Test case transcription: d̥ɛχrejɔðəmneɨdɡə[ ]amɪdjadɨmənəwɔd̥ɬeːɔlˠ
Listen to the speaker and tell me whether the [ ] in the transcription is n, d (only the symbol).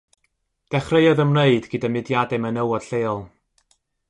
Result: d